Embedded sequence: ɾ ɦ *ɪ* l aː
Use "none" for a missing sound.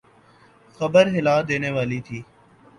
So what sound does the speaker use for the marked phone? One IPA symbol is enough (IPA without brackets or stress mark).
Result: ɪ